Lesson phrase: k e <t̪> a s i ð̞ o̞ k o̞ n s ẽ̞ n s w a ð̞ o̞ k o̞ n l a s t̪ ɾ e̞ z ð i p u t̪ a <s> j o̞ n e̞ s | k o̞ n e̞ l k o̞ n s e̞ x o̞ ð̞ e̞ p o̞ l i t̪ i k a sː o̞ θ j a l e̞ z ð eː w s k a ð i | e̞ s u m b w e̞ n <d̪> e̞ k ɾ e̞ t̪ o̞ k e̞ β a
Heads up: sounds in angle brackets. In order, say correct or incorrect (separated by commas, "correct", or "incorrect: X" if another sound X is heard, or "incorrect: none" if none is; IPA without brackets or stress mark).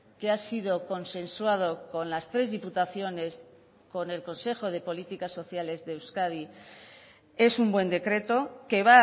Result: incorrect: none, incorrect: θ, correct